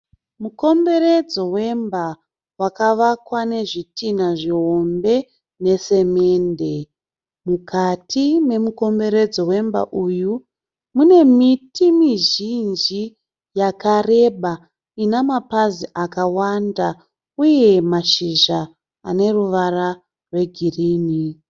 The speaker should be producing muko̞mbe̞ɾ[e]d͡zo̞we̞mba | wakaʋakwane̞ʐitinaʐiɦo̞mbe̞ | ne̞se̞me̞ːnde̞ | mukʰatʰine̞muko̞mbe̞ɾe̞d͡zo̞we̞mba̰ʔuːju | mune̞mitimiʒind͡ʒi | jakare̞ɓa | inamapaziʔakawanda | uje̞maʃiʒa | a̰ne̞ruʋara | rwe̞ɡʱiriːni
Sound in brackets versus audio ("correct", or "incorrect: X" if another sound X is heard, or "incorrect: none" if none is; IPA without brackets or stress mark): correct